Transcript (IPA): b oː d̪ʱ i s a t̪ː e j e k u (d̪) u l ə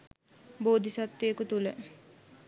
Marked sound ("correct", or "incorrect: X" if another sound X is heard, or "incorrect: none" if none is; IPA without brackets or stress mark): incorrect: t̪